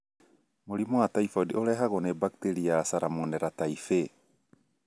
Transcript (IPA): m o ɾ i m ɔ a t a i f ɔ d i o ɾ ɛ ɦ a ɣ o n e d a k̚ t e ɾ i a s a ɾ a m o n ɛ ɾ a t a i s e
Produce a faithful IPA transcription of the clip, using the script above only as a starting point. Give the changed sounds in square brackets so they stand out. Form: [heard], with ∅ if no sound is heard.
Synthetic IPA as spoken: m o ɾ i m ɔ a t a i f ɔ d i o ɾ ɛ ɦ a ɣ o n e [b] a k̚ t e ɾ i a s a ɾ a m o n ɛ ɾ a t a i [f] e